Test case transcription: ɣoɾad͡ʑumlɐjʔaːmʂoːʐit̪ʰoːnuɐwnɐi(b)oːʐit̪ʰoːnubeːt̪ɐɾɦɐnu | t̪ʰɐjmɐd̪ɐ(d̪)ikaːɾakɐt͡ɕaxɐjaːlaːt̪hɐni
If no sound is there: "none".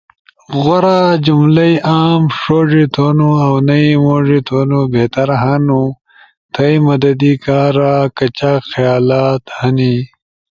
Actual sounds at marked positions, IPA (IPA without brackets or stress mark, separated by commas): m, d̪